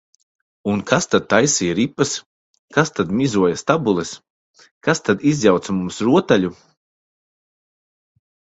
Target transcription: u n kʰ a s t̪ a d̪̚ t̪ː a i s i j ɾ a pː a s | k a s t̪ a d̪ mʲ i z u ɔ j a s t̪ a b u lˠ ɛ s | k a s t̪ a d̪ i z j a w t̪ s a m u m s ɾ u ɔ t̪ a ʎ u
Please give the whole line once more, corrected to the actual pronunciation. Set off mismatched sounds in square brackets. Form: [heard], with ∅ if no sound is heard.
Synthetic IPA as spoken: u n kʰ a s t̪ a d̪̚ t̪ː a [j] s i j ɾ [i] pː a s | k a s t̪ a d̪ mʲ i z u ɔ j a s t̪ a b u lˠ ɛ s | k a s t̪ a d̪ i z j a w t̪ s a m u m s ɾ u ɔ t̪ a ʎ u